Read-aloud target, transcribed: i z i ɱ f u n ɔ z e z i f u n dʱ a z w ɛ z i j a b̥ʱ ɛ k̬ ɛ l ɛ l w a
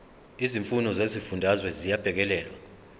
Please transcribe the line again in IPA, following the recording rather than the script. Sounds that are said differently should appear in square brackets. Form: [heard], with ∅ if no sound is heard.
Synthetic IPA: i z i ɱ f u n ɔ z e z i f u n dʱ a z w ɛ z i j a b̥ʱ ɛ k̬ ɛ l [ɛː] l w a